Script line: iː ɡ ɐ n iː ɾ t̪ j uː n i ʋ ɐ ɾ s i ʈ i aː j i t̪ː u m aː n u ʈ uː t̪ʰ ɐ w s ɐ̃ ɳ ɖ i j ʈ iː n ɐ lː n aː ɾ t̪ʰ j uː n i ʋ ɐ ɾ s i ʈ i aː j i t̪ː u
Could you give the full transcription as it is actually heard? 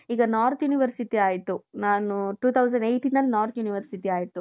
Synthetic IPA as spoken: iː ɡ ɐ n aː ɾ t̪ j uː n i ʋ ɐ ɾ s i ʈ i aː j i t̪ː u n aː n u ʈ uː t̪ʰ ɐ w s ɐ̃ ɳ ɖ e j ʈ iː n ɐ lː n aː ɾ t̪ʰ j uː n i ʋ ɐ ɾ s i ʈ i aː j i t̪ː u